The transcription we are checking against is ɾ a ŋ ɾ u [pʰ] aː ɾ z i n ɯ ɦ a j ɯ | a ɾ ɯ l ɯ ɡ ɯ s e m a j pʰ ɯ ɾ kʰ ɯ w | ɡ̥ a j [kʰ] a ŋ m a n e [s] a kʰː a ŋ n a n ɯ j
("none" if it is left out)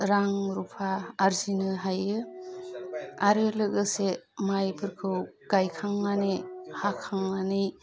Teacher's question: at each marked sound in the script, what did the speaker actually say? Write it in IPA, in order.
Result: pʰ, kʰ, h

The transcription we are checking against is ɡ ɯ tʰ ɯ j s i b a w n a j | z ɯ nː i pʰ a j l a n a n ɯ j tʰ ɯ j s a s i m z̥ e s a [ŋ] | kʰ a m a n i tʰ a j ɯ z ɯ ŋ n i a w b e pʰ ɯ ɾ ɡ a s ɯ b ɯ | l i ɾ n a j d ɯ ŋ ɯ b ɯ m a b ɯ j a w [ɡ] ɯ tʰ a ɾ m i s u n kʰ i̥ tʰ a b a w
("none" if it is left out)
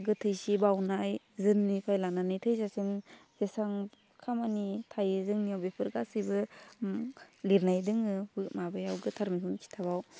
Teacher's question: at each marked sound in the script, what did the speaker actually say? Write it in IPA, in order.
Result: ŋ, ɡ

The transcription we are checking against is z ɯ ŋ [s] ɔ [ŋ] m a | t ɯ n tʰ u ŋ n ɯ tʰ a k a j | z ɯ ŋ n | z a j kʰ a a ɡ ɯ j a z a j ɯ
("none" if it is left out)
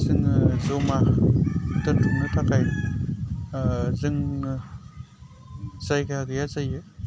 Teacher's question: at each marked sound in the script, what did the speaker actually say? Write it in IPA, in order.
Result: z, none

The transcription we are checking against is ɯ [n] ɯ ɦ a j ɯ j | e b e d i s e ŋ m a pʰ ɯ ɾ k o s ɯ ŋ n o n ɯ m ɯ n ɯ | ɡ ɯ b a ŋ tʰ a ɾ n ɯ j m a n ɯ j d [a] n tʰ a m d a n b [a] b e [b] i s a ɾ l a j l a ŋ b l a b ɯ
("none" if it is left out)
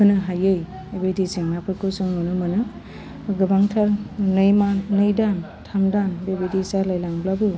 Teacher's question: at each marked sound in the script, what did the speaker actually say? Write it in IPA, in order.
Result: n, a, e, d

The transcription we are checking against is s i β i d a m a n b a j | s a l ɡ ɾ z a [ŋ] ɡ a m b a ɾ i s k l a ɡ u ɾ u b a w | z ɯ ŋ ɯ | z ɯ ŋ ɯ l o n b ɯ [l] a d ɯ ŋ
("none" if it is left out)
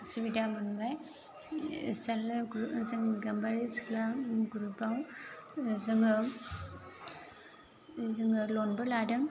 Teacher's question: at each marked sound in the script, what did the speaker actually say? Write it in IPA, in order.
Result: ŋ, l

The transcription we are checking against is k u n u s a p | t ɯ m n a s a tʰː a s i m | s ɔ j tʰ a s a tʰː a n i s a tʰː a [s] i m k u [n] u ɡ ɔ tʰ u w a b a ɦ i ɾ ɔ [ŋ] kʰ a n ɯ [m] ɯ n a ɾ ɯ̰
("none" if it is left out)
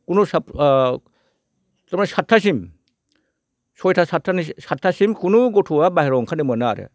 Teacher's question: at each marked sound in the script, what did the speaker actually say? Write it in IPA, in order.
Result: s, n, ŋ, m

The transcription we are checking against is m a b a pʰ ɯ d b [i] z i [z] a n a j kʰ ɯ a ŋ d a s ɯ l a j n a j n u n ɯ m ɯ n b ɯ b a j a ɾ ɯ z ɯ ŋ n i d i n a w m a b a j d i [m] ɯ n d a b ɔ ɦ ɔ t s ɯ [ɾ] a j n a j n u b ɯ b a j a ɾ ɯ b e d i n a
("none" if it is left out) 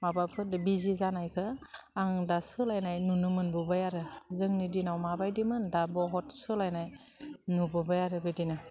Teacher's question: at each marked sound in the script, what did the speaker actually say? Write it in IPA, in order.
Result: i, z, m, l

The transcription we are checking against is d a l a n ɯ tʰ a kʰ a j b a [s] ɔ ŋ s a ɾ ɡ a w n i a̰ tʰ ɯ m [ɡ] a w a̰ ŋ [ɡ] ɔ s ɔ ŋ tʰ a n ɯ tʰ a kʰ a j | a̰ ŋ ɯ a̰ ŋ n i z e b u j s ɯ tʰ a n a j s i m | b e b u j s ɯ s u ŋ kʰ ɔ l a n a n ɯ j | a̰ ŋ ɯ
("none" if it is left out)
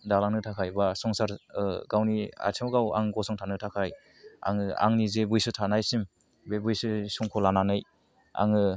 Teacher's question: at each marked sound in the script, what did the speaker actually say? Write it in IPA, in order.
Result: s, ɡ, ɡ

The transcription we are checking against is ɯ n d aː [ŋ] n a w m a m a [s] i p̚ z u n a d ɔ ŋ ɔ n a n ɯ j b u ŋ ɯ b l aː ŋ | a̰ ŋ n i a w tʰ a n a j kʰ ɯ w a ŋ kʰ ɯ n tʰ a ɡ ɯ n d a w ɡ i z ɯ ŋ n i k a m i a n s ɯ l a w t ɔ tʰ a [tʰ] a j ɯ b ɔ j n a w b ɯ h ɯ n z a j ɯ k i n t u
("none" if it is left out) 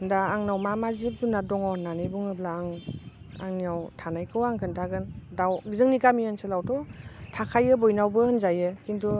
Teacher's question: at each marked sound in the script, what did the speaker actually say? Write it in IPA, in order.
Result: ŋ, z, kʰ

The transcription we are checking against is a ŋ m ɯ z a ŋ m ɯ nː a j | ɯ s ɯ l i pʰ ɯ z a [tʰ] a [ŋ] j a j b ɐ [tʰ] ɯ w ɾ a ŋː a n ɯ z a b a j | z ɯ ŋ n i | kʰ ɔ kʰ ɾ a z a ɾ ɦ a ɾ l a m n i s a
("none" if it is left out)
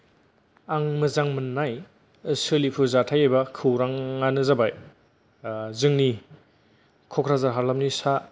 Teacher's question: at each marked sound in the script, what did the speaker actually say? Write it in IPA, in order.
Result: tʰ, none, kʰ

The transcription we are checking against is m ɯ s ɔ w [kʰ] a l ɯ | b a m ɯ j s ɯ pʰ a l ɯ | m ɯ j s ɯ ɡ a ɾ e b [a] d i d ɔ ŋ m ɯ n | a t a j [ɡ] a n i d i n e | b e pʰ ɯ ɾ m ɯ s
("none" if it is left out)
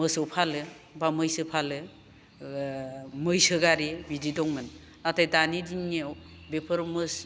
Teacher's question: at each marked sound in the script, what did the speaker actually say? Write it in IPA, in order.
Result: pʰ, i, d

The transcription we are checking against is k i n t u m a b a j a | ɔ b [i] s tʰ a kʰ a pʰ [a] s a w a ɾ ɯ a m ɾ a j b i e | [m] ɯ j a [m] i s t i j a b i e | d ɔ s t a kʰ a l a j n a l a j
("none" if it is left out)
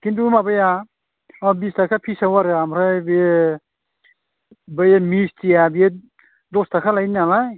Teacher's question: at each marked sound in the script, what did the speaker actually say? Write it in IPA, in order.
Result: i, i, b, m

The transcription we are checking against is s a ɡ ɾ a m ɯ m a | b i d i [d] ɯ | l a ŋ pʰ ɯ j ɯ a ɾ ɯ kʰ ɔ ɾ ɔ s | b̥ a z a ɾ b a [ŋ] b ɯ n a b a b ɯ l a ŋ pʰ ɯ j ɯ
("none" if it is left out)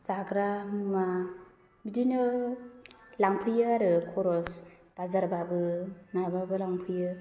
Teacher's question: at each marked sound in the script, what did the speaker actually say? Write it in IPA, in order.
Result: n, none

